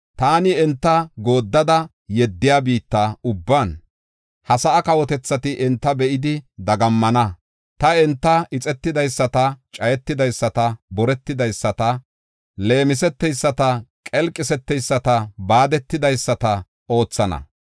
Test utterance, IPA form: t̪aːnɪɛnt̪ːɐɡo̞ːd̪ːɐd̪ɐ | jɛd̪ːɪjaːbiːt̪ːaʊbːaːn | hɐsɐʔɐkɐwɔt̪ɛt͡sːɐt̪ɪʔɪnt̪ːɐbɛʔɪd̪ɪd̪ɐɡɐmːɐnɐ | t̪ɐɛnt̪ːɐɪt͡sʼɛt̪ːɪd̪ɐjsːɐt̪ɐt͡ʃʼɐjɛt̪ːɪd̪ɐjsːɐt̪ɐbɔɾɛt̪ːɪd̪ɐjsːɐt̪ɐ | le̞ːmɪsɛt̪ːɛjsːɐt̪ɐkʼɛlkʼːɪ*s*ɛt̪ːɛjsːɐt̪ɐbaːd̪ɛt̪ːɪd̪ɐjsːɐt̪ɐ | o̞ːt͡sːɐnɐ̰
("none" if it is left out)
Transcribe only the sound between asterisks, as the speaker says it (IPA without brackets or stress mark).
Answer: s